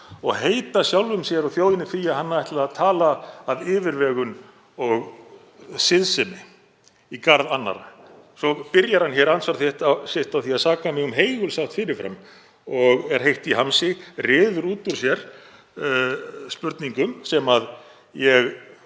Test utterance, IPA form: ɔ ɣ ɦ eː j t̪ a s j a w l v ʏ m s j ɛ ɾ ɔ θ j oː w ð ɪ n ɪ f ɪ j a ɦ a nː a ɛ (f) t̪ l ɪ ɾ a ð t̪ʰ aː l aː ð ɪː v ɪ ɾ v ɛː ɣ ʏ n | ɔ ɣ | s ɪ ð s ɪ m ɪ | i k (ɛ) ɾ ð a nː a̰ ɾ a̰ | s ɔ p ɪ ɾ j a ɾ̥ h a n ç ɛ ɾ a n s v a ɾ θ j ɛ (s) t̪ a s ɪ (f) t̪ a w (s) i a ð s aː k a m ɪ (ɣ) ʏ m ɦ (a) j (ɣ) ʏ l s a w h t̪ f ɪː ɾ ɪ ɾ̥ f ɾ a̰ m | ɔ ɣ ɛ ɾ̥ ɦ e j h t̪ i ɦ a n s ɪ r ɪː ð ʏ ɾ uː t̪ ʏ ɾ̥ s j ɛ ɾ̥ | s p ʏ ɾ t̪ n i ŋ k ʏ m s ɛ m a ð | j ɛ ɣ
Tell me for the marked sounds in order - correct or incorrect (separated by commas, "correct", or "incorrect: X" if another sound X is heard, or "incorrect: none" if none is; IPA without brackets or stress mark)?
incorrect: h, incorrect: a, incorrect: h, incorrect: h, incorrect: θ, correct, incorrect: e, correct